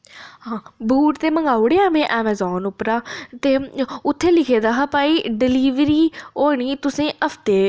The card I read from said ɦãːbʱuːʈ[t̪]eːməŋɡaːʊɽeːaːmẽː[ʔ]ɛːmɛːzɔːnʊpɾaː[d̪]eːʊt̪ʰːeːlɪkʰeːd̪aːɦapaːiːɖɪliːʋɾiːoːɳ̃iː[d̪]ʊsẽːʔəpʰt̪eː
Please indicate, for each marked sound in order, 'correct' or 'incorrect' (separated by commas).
correct, correct, incorrect, incorrect